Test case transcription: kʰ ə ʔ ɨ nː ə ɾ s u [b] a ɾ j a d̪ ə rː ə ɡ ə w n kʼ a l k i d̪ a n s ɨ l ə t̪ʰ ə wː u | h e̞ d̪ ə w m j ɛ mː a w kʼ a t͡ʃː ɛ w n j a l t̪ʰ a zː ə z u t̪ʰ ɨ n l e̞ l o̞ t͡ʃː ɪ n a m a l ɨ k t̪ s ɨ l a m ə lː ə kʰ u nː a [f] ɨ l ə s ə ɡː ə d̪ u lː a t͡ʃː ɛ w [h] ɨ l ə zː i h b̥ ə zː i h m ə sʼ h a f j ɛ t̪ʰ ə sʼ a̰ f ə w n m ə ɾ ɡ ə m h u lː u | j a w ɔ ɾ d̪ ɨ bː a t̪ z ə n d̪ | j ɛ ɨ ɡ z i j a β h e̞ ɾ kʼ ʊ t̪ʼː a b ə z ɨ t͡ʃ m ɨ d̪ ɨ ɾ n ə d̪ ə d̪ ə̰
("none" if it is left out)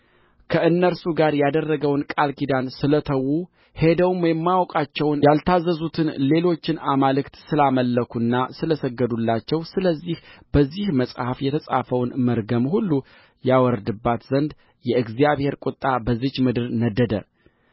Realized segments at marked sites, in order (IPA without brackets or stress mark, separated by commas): ɡ, s, s